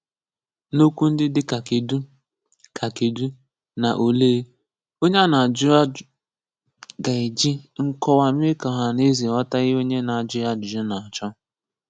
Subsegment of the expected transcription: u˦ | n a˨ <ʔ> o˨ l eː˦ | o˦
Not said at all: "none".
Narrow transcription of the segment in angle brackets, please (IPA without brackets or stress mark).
ʔ